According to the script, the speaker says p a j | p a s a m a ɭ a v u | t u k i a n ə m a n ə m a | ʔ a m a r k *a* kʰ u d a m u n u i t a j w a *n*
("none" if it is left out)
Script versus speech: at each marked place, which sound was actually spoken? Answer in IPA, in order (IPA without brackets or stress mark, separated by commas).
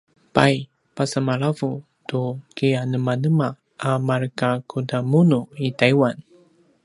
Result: a, n